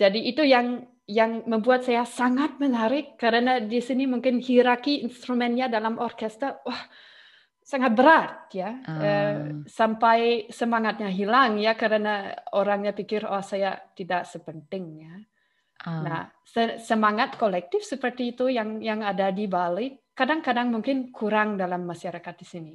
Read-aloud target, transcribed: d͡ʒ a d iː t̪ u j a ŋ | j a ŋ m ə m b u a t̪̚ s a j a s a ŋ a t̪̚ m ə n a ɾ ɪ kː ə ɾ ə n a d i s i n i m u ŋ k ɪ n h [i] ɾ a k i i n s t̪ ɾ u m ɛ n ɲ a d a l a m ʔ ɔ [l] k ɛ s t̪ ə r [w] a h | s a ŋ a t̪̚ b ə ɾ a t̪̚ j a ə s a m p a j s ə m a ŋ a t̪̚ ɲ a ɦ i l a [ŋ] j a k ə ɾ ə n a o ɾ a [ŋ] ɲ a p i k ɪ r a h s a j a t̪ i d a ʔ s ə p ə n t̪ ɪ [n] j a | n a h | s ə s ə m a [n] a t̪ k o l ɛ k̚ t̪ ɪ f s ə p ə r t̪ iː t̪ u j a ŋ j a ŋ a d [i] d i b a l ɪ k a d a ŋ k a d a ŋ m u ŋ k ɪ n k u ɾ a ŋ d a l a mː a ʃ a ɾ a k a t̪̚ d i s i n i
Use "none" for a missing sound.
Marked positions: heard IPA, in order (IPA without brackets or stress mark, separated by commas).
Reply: i, r, w, ŋ, ŋ, ŋ, ŋ, a